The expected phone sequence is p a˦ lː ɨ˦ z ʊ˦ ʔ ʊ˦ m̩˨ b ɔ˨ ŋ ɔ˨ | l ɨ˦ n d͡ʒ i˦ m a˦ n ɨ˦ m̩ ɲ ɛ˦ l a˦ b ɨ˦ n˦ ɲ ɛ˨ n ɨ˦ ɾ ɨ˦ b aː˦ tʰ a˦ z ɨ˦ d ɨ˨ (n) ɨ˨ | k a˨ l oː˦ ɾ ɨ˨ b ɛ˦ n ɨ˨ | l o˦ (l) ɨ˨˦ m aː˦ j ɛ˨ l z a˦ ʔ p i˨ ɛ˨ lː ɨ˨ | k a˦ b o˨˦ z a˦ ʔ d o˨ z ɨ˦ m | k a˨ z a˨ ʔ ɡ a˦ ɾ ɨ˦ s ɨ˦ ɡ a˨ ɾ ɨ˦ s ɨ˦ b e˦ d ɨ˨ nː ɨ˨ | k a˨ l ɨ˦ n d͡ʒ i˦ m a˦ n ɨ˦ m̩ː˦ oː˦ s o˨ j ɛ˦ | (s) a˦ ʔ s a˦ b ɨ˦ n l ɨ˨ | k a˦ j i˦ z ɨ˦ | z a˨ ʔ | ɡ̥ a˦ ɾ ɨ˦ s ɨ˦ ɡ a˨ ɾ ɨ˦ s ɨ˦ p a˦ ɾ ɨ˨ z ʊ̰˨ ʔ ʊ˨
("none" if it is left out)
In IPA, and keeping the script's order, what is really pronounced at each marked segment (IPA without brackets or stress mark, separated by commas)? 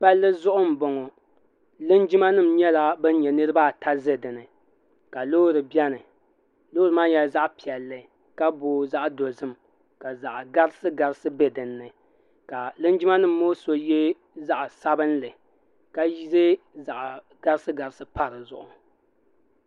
n, ɾ, z